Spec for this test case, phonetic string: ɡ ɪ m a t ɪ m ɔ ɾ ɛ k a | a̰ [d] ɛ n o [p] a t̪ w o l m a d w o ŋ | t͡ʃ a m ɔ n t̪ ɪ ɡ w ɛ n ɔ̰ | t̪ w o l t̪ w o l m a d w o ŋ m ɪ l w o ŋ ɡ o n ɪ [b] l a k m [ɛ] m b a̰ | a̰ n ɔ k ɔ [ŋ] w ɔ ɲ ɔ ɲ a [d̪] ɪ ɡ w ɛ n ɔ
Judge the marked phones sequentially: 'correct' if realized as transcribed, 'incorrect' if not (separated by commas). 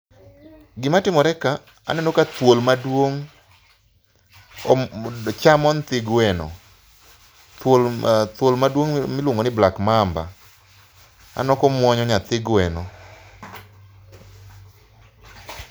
incorrect, incorrect, correct, incorrect, incorrect, incorrect